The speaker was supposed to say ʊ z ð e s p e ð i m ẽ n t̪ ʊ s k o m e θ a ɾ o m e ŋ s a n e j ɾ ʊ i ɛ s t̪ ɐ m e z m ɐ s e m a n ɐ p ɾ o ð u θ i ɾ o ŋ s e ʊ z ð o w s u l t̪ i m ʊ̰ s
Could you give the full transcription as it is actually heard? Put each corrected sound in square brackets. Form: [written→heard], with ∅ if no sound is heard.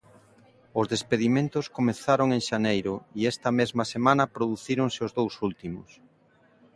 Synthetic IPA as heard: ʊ z ð e s p e ð i m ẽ n t̪ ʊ s k o m e θ a ɾ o [m→ŋ] e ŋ [s→ʃ] a n e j ɾ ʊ i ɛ s t̪ ɐ m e z m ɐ s e m a n ɐ p ɾ o ð u θ i ɾ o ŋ s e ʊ z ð o w s u l t̪ i m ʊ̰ s